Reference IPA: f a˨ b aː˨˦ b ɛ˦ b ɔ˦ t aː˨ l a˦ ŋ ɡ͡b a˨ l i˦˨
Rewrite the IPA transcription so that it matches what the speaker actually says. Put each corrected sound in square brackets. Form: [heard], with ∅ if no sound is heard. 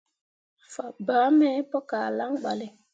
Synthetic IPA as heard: f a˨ b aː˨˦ [m] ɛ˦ [p] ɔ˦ [k] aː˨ l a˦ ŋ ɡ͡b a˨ l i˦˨